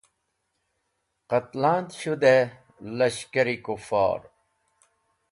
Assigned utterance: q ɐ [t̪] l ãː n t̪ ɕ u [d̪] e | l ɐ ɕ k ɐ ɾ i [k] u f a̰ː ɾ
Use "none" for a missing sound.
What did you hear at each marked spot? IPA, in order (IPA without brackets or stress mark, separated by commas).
t̪, d̪, k